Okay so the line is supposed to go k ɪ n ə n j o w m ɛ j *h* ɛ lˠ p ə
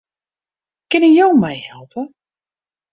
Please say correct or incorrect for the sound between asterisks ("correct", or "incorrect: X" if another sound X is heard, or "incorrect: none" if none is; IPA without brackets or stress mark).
correct